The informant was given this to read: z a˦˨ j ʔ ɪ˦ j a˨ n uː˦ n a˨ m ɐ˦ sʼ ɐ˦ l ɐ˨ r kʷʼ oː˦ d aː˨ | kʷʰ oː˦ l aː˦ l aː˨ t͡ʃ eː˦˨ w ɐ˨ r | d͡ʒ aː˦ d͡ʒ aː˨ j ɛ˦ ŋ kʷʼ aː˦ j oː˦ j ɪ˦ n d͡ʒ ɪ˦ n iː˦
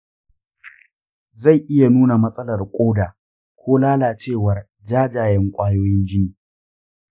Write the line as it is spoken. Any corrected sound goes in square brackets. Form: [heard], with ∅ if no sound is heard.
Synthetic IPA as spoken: z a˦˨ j ʔ ɪ˦ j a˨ n uː˦ n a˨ m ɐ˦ sʼ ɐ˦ l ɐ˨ r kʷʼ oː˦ d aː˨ | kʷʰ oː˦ l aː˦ l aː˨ t͡ʃ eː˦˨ w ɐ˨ r | d͡ʒ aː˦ d͡ʒ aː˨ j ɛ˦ ŋ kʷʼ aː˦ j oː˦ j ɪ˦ n d͡ʒ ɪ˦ n [iː˨]